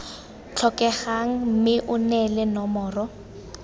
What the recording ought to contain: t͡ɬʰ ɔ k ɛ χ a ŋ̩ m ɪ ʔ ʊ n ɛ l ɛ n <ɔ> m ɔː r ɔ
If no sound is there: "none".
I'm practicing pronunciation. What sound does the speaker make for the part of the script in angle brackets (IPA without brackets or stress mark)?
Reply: ɔ